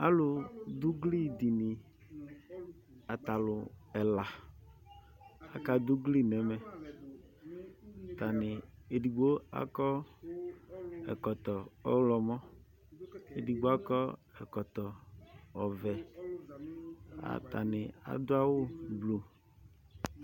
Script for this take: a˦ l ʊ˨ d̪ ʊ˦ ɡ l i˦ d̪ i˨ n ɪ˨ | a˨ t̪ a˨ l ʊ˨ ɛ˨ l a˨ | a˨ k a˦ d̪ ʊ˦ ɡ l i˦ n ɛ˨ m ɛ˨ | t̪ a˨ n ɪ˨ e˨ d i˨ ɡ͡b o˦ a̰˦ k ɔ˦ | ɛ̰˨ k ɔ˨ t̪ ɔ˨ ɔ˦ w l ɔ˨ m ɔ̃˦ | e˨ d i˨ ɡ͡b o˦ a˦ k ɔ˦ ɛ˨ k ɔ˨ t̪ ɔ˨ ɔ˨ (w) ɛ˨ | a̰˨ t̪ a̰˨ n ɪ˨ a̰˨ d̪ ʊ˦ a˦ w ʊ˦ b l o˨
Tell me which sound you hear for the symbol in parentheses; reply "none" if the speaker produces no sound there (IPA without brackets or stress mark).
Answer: v